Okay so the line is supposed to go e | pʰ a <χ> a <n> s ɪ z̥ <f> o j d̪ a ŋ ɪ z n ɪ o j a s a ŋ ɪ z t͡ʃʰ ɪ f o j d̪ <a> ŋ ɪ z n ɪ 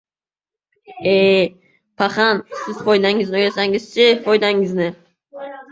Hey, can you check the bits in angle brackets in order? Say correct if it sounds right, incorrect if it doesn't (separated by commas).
correct, correct, correct, correct